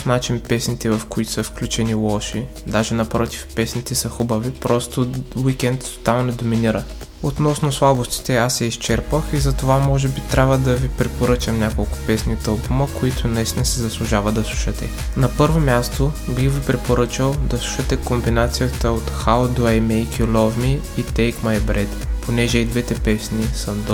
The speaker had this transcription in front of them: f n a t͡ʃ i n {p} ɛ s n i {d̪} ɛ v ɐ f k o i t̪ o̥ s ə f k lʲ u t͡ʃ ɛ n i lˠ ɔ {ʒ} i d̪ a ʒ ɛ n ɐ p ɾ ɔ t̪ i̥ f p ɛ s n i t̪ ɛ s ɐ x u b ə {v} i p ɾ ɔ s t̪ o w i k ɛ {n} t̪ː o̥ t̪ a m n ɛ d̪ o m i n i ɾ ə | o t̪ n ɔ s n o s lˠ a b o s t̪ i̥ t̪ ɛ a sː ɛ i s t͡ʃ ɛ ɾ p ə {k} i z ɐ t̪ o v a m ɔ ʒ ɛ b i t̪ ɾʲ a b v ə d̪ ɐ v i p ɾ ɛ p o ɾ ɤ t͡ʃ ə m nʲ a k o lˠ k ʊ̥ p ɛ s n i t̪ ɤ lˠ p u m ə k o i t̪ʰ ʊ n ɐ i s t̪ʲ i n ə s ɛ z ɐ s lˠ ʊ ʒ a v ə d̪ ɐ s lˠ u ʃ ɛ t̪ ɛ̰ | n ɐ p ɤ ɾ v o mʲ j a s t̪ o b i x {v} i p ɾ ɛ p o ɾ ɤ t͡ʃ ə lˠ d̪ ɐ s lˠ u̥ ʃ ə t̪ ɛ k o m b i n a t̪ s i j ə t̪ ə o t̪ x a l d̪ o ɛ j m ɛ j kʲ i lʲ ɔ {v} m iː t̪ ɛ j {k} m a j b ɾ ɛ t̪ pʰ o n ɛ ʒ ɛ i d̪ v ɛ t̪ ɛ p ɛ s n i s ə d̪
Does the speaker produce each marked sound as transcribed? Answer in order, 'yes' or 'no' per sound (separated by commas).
yes, no, no, yes, yes, no, yes, yes, yes